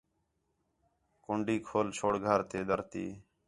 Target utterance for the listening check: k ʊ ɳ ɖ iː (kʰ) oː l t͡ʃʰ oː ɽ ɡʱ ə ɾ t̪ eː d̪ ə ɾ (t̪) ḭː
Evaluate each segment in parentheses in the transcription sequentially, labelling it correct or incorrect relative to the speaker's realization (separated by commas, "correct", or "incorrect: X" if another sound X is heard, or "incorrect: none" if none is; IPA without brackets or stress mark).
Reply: correct, correct